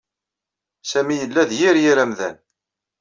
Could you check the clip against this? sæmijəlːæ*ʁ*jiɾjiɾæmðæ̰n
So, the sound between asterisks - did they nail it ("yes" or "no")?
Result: no